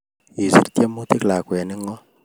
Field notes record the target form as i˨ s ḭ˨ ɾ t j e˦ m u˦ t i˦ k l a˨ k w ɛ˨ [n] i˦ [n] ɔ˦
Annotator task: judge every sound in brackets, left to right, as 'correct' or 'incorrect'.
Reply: correct, incorrect: ŋ

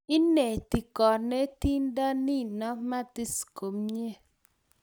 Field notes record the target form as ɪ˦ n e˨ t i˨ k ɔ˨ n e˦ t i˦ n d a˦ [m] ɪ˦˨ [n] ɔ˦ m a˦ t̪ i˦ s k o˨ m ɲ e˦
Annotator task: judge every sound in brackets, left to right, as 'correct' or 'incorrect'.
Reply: incorrect: n, correct

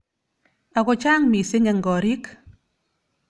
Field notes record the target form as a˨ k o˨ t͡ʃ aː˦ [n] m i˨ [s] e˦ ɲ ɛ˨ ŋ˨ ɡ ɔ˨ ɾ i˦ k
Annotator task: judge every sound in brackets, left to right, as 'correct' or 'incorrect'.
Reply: incorrect: ŋ, correct

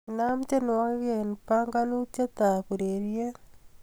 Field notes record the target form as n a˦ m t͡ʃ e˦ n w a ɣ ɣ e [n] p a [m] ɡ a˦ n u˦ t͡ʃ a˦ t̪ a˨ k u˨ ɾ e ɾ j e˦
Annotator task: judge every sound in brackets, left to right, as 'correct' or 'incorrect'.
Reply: correct, incorrect: ŋ

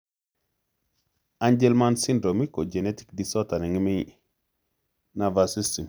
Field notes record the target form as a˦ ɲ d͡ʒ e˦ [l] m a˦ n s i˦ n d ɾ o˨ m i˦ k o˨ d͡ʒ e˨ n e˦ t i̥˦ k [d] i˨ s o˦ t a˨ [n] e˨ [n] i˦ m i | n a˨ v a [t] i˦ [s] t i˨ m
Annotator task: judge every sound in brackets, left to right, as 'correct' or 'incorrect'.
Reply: correct, correct, correct, incorrect: ŋ, incorrect: s, correct

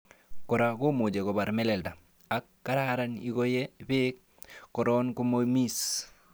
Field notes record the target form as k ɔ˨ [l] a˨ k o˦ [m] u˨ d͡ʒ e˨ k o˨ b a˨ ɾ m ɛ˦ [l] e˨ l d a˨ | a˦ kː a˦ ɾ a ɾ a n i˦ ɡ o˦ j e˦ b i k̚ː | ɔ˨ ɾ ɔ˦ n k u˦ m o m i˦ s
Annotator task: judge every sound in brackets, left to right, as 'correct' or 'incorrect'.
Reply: incorrect: ɾ, correct, correct

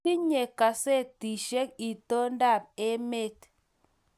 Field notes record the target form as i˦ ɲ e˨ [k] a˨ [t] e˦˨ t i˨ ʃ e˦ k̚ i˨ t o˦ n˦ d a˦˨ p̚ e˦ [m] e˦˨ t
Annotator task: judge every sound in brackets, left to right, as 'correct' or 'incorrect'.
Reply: correct, incorrect: s, correct

